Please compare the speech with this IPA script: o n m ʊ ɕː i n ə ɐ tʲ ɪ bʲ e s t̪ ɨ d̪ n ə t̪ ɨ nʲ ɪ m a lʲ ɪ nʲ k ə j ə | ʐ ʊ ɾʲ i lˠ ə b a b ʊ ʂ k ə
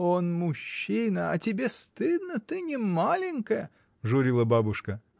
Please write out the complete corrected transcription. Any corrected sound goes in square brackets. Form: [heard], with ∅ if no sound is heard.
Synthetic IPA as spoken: o n m ʊ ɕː i n ə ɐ tʲ ɪ bʲ e s t̪ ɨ d̪ n ə t̪ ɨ nʲ ɪ m a lʲ ɪ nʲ k ə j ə | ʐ ʊ ɾʲ i lˠ ə b a b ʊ ʂ k ə